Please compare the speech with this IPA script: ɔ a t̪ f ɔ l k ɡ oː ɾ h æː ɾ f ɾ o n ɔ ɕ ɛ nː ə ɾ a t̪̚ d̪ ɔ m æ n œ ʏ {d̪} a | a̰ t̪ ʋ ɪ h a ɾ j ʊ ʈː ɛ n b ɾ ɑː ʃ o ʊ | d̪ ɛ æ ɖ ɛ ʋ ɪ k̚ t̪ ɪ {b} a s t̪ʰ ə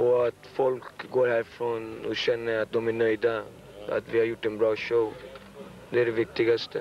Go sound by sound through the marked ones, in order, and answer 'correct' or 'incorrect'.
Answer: correct, incorrect: ɡ

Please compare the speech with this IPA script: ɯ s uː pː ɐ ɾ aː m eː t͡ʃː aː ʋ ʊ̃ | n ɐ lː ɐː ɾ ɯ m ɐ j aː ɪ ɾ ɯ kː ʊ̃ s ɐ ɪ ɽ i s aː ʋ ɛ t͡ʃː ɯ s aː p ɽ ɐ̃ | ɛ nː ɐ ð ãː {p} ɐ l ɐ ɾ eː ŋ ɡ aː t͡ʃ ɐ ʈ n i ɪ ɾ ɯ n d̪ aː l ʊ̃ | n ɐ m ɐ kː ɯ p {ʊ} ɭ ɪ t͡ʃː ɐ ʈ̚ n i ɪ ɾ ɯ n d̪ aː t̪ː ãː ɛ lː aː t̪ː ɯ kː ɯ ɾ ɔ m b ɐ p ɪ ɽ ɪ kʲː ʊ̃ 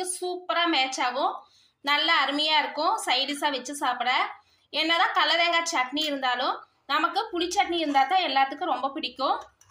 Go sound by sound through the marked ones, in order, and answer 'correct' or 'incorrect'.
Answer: incorrect: k, correct

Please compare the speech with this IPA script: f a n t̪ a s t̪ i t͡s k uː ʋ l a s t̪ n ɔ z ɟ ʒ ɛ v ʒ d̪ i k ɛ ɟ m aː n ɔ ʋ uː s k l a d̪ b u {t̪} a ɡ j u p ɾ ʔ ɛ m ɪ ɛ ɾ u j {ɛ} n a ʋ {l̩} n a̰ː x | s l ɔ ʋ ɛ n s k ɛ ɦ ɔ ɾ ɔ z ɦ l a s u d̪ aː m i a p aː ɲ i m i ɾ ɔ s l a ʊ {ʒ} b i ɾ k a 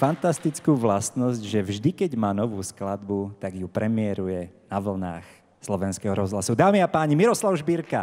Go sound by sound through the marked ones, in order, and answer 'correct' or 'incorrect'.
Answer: correct, correct, correct, correct

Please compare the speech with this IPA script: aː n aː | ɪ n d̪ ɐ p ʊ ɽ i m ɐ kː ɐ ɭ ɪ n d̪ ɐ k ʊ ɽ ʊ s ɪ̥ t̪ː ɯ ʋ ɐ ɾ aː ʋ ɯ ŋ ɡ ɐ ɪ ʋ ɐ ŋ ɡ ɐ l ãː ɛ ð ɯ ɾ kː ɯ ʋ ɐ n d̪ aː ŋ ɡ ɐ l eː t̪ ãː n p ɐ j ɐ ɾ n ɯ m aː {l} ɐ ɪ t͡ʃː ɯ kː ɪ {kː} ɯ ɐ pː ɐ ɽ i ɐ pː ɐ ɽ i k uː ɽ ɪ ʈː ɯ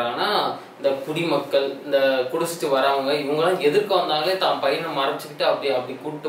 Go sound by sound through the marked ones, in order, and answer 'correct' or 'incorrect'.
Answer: incorrect: ɾ, incorrect: ʈː

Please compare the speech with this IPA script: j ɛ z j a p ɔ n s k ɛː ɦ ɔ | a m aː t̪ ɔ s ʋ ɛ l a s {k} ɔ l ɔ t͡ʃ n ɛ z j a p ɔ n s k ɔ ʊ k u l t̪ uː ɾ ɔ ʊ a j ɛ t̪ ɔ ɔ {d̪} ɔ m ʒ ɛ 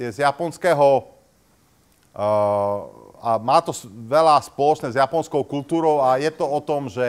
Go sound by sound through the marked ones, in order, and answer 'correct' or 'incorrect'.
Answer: incorrect: p, incorrect: t̪

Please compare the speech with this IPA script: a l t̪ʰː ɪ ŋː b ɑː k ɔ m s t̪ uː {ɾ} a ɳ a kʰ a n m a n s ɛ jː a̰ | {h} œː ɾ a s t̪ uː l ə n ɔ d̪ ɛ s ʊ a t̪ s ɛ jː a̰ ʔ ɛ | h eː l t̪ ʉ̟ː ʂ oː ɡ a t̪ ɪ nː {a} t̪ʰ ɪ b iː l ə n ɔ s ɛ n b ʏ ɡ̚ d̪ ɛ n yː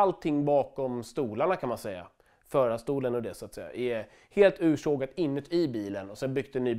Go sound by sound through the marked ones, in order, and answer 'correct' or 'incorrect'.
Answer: incorrect: l, incorrect: f, incorrect: ə

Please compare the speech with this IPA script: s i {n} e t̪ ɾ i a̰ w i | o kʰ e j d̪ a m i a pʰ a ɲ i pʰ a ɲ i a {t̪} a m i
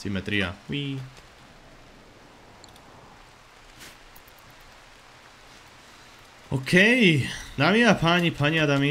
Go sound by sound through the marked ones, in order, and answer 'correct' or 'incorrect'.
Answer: incorrect: m, incorrect: d̪

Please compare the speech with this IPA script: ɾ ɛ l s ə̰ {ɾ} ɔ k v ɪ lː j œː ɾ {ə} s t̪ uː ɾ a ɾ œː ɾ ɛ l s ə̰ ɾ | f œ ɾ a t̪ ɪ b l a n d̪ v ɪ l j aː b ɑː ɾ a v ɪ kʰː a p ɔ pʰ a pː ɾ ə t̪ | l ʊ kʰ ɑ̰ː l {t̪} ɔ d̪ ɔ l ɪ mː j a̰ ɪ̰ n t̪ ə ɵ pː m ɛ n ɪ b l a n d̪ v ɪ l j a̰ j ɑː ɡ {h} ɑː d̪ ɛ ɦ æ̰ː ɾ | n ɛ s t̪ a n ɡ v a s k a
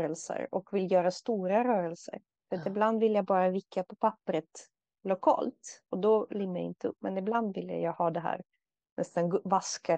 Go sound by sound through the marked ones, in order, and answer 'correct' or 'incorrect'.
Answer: correct, incorrect: a, correct, correct

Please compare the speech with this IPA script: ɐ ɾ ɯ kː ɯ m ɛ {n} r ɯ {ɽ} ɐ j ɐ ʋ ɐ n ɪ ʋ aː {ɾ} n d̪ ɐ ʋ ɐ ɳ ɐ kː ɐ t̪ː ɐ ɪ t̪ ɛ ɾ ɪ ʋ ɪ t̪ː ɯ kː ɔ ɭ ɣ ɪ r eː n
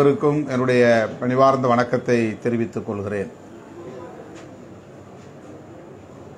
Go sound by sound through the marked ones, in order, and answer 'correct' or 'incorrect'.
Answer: correct, correct, correct

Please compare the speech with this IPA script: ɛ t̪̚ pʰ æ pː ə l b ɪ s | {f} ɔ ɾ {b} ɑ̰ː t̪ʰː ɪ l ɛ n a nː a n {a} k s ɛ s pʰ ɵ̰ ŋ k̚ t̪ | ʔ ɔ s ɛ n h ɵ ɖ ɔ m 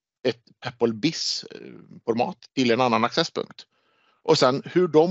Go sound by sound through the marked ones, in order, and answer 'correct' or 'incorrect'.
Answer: correct, incorrect: m, correct

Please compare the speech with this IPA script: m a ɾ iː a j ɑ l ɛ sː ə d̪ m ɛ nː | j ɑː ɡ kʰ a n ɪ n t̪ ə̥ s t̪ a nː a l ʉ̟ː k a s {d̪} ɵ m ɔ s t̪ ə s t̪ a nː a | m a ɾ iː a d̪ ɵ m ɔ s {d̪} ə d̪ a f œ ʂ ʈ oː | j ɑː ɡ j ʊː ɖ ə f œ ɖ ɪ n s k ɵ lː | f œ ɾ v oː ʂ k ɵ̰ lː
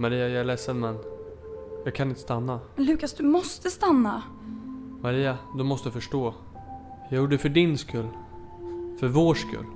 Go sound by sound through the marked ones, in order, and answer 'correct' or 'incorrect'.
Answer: correct, incorrect: t̪

